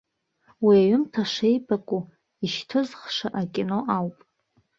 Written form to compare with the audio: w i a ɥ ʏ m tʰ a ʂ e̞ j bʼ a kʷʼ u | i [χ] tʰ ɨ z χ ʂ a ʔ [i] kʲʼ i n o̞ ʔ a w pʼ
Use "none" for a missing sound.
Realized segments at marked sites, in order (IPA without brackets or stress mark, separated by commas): ʃ, a